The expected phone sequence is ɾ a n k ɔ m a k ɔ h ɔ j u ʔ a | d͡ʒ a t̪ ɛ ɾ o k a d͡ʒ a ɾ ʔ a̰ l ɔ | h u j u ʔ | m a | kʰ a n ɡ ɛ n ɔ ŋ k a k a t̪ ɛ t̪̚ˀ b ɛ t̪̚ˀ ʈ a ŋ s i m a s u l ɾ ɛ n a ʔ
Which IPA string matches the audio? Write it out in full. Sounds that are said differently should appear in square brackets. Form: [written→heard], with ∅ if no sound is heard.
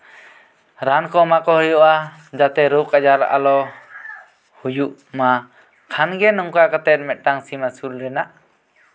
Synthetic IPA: ɾ a n k ɔ m a k ɔ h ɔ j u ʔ a | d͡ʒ a t̪ ɛ ɾ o k a d͡ʒ a ɾ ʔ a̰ l ɔ | h u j u ʔ | m a | kʰ a n ɡ ɛ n ɔ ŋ k a k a t̪ ɛ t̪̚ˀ [b→m] ɛ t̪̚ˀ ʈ a ŋ s i m a s u l ɾ ɛ n a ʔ